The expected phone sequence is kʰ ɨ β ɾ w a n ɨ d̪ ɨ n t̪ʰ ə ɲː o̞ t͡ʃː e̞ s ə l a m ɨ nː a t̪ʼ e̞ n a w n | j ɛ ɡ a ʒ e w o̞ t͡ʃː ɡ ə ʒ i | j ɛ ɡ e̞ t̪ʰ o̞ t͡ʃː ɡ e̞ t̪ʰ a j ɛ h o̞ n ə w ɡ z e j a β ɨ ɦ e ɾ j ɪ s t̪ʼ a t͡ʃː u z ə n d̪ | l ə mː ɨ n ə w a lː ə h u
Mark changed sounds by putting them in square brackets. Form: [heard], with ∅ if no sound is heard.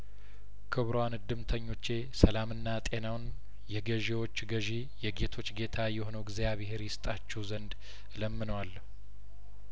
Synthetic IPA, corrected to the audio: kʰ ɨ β ɾ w a n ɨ d̪ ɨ [m] t̪ʰ ə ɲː o̞ t͡ʃː e̞ s ə l a m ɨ nː a t̪ʼ e̞ n a w n | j ɛ ɡ [ə] ʒ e w o̞ t͡ʃː ɡ ə ʒ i | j ɛ ɡ e̞ t̪ʰ o̞ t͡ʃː ɡ e̞ t̪ʰ a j ɛ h o̞ n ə w ɡ z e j a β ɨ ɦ e ɾ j ɪ s t̪ʼ a t͡ʃː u z ə n d̪ | l ə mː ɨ n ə w a lː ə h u